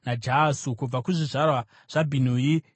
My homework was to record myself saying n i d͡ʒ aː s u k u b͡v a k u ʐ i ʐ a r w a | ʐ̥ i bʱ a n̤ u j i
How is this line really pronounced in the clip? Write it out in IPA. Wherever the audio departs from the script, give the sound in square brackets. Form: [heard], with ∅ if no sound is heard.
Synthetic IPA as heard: n [a] d͡ʒ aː s u k u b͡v a k u ʐ i ʐ a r w a | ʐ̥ [a] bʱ [i] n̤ u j i